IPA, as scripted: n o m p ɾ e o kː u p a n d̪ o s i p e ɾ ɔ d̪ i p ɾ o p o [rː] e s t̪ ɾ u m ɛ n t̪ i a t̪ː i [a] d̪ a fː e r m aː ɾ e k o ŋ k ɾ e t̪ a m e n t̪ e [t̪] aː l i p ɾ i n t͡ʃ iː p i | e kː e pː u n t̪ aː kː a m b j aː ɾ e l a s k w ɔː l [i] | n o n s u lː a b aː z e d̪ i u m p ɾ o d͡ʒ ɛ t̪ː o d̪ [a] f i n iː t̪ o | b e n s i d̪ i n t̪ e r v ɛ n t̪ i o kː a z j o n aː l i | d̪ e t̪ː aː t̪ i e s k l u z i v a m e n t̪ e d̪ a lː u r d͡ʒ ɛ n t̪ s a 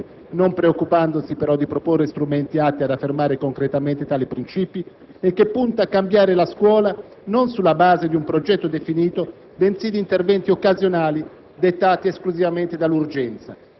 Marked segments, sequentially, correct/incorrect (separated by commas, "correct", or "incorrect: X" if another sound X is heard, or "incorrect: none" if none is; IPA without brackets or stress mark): correct, correct, correct, incorrect: a, incorrect: e